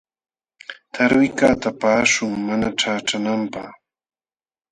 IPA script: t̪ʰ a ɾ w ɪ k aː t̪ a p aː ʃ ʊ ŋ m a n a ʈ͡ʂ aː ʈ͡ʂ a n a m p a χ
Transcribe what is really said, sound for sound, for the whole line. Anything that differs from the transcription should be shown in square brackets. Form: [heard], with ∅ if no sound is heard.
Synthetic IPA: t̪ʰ a ɾ w ɪ k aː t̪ a p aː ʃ ʊ ŋ m a n a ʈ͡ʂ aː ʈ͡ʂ a n a m p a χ